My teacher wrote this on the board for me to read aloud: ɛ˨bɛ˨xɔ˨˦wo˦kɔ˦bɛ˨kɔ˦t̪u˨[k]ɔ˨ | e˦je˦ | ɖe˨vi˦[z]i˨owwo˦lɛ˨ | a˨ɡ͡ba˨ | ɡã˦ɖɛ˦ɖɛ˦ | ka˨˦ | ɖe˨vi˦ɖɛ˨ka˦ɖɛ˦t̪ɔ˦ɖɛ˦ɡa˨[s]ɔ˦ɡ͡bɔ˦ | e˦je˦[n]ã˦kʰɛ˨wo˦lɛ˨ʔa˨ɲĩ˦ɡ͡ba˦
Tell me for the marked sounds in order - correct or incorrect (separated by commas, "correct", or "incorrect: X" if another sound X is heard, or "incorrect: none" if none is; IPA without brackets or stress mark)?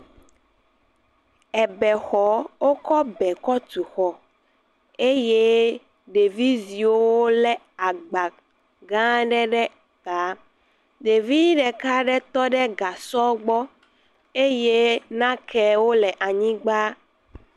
incorrect: x, correct, correct, correct